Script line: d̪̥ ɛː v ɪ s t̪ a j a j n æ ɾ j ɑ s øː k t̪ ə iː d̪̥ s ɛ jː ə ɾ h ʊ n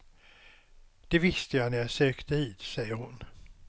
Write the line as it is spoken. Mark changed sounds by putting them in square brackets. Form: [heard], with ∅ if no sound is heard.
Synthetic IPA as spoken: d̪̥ [ɛ] v ɪ s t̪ [ə] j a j n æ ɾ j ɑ s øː k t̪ ə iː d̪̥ s ɛ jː ə ɾ h ʊ n